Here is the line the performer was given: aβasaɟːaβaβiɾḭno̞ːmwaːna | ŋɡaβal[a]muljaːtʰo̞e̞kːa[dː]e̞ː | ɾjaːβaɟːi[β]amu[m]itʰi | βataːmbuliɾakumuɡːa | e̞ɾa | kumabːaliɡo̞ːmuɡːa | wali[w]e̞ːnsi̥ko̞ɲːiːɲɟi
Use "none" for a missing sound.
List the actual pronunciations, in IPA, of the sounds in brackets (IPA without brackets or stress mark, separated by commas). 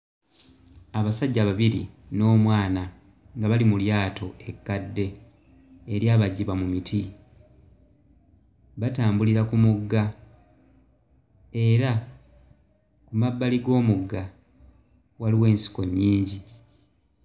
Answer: i, dː, β, m, w